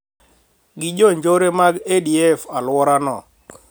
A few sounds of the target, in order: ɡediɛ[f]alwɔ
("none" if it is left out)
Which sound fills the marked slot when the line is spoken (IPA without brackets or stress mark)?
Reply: f